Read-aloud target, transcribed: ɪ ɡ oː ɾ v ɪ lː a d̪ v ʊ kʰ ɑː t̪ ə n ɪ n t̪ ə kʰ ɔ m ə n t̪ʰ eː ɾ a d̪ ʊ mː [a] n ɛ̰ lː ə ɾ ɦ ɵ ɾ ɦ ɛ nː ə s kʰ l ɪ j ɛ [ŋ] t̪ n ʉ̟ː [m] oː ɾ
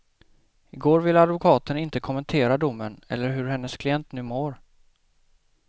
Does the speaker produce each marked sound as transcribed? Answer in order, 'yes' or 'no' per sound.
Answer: no, no, yes

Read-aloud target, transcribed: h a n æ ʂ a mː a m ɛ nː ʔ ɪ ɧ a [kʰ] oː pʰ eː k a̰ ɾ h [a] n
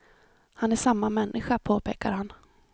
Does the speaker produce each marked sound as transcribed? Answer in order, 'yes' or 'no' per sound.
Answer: no, yes

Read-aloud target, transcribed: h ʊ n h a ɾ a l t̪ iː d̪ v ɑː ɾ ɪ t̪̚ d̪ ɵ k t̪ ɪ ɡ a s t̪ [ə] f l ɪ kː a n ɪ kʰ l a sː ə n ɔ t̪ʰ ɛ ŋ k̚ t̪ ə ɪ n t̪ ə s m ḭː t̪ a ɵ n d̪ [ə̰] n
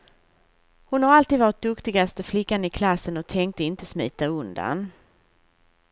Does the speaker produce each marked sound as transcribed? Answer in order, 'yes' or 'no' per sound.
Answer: yes, no

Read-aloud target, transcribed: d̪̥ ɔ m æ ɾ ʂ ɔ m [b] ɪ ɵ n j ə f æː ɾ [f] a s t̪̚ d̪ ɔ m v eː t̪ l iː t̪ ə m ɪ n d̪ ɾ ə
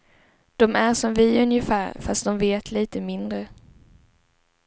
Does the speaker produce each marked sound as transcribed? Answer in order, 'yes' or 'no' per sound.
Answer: no, yes

